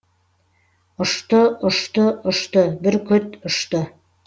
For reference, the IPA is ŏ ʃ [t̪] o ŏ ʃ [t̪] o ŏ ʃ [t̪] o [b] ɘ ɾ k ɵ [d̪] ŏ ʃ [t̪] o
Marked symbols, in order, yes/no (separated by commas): yes, yes, yes, yes, no, yes